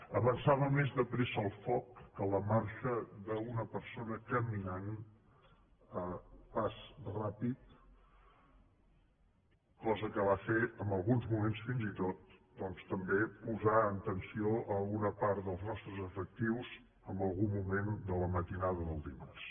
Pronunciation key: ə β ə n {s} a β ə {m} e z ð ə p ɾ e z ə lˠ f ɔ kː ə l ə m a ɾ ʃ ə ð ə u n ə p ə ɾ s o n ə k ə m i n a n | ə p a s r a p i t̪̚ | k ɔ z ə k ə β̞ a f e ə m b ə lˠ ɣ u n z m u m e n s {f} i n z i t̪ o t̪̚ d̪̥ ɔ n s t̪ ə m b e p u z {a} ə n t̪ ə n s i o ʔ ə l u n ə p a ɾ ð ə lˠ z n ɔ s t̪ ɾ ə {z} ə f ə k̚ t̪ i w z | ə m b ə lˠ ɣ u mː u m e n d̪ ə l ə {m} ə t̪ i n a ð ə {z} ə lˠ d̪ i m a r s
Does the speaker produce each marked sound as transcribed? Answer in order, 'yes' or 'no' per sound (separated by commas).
yes, yes, yes, yes, yes, yes, no